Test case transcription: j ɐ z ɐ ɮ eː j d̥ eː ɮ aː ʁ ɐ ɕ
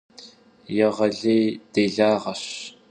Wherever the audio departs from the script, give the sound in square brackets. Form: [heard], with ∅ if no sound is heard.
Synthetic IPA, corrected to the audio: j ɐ [ʁ] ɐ ɮ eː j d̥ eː ɮ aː ʁ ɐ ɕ